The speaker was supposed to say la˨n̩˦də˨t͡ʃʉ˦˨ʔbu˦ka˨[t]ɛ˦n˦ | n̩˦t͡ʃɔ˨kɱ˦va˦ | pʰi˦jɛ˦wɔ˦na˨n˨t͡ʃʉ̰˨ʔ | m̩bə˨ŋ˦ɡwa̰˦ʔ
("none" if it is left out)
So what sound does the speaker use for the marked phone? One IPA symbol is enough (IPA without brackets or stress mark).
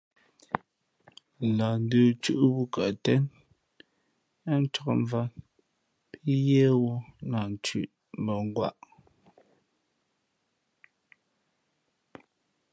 t